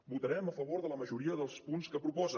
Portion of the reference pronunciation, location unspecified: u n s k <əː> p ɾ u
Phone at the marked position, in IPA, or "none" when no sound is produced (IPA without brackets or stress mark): ə